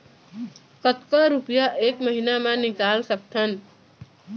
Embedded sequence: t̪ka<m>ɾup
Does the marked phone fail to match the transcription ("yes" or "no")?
yes